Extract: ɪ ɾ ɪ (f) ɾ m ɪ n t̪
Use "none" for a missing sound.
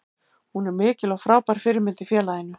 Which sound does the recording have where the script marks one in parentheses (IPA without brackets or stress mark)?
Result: none